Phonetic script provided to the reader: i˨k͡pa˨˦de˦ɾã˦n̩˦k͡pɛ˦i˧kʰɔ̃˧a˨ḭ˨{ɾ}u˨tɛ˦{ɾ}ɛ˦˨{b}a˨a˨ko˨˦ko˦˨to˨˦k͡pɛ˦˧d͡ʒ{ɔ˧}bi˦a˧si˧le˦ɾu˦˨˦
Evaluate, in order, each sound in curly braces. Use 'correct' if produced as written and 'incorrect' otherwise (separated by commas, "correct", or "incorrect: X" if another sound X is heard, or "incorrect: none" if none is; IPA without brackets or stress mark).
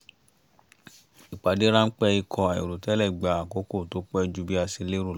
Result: correct, incorrect: l, incorrect: ɡ͡b, incorrect: u˧